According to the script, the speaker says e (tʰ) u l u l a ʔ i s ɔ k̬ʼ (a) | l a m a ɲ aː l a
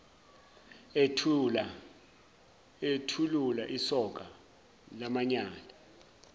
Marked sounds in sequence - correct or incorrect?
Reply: correct, correct

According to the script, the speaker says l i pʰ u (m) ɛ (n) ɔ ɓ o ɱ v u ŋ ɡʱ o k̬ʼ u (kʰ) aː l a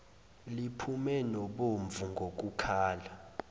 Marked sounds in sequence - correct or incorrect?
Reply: correct, correct, correct

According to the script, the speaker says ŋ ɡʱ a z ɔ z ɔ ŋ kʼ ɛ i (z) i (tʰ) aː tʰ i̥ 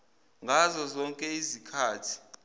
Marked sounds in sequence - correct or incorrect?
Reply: correct, incorrect: kʰ

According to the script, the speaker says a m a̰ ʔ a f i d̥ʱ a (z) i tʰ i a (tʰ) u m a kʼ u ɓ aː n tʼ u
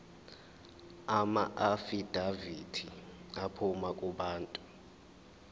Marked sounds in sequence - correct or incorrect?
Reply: incorrect: v, incorrect: pʰ

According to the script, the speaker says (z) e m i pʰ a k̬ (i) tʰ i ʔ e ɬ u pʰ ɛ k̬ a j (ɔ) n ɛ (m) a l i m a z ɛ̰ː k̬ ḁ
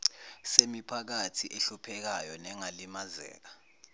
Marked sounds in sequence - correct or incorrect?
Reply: incorrect: s, incorrect: a, correct, incorrect: ŋ

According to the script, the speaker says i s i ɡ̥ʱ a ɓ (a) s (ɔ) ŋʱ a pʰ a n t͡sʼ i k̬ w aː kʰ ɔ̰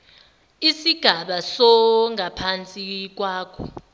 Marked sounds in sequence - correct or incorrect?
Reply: correct, correct

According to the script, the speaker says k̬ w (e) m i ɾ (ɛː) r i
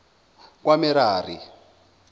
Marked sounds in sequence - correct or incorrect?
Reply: incorrect: a, incorrect: aː

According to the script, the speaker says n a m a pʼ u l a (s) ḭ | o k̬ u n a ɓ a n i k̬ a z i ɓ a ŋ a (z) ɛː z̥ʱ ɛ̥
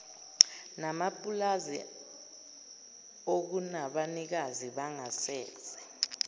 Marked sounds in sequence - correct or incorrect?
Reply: incorrect: z, incorrect: s

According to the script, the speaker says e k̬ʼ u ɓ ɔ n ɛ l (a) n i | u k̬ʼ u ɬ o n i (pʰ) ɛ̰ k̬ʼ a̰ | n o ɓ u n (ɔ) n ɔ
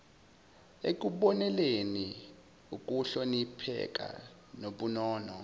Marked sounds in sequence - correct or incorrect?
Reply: incorrect: e, correct, incorrect: ɔː

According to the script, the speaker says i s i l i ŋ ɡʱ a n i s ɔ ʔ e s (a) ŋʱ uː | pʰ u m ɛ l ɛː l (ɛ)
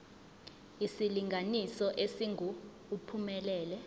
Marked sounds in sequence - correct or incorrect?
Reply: incorrect: i, correct

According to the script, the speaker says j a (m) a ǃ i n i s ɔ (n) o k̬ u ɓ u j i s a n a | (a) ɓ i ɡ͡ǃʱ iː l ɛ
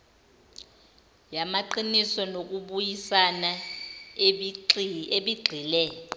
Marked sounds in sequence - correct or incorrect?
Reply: correct, correct, incorrect: e

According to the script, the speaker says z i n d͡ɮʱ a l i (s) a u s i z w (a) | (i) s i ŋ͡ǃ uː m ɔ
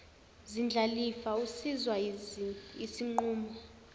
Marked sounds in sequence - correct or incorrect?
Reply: incorrect: f, correct, correct

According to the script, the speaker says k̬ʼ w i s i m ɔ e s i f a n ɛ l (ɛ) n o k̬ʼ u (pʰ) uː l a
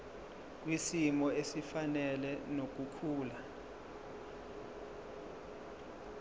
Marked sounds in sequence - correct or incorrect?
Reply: correct, incorrect: kʰ

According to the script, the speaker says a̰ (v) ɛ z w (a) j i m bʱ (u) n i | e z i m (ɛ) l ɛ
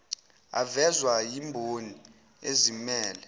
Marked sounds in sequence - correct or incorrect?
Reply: correct, correct, incorrect: o, incorrect: ɛː

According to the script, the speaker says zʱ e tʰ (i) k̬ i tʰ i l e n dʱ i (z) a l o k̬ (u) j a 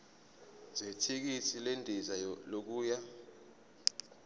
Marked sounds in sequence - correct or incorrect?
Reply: correct, correct, incorrect: uː

